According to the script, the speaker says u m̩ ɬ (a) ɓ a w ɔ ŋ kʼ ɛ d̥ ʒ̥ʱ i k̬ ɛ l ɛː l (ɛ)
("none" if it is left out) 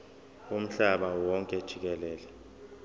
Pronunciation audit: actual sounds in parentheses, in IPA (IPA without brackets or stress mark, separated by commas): a, ɛ